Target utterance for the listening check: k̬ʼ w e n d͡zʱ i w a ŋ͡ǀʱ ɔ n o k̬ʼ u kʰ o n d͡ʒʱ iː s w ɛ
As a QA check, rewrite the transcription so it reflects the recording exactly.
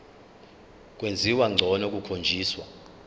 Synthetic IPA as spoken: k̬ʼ w e n d͡zʱ i w a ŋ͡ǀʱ ɔ n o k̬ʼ u kʰ o n d͡ʒʱ iː s w a